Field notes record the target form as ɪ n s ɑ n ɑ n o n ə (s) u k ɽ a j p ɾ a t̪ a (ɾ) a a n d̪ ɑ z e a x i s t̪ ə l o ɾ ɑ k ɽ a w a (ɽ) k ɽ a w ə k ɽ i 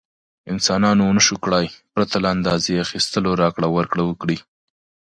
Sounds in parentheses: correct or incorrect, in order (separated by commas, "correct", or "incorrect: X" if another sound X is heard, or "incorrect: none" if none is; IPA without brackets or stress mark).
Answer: incorrect: ʃ, incorrect: l, incorrect: ɾ